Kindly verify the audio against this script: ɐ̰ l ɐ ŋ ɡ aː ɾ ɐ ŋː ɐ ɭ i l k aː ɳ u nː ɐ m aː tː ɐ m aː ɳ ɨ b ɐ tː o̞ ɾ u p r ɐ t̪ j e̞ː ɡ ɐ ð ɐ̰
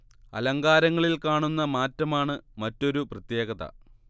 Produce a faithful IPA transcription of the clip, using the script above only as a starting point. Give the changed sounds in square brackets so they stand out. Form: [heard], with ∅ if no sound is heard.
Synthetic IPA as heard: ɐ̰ l ɐ ŋ ɡ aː ɾ ɐ ŋː ɐ ɭ i l k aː ɳ u nː ɐ m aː tː ɐ m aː ɳ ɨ [m] ɐ tː o̞ ɾ u p r ɐ t̪ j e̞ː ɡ ɐ ð ɐ̰

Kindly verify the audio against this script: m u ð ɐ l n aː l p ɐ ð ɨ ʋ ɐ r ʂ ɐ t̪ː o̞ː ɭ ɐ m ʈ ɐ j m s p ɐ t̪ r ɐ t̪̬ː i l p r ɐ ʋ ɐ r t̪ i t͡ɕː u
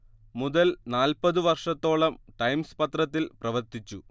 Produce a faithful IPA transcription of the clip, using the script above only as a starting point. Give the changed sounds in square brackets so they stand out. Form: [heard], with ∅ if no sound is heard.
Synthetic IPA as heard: m u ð ɐ l n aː l p ɐ ð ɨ ʋ ɐ r ʂ ɐ t̪ː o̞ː ɭ ɐ m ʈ ɐ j m s p ɐ t̪ r ɐ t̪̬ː i l p r ɐ ʋ ɐ r t̪ i t͡ɕː u

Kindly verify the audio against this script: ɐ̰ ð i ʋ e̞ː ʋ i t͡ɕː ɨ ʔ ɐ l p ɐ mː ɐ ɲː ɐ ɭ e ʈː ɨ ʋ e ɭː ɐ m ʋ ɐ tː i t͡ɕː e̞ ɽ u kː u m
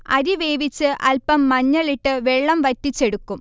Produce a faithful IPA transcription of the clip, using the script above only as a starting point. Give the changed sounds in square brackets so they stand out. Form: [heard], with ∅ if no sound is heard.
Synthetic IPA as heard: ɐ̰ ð i ʋ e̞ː ʋ i t͡ɕː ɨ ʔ ɐ l p ɐ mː ɐ ɲː ɐ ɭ [i] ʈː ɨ ʋ e ɭː ɐ m ʋ ɐ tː i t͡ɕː e̞ ɽ u kː u m

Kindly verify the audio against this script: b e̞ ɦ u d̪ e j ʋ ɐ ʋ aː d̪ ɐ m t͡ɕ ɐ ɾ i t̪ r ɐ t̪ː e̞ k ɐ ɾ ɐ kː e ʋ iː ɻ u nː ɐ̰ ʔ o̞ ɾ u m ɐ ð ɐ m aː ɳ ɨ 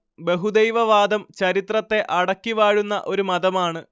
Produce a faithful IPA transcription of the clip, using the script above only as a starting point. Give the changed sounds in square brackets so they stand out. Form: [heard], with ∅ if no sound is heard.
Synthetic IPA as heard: b e̞ ɦ u d̪ e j ʋ ɐ ʋ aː d̪ ɐ m t͡ɕ ɐ ɾ i t̪ r ɐ t̪ː e̞ [ʔ] ɐ [ɽ] ɐ kː [i] ʋ [aː] ɻ u nː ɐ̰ ʔ o̞ ɾ u m ɐ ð ɐ m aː ɳ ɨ

